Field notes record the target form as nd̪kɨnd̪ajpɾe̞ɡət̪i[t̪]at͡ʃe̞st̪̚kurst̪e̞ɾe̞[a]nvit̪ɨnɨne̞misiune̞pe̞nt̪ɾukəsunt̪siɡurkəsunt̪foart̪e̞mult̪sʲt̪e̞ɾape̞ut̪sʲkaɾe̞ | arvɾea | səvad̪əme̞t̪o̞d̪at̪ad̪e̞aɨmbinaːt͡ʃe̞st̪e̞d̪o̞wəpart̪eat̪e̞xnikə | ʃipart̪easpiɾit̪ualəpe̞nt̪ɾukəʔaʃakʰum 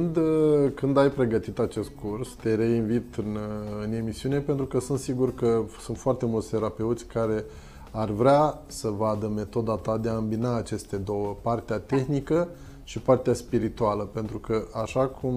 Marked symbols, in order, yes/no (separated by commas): yes, no